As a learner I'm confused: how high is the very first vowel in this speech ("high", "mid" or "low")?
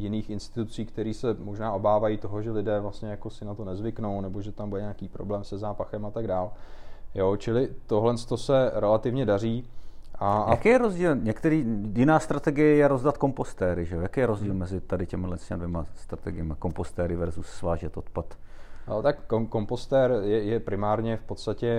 high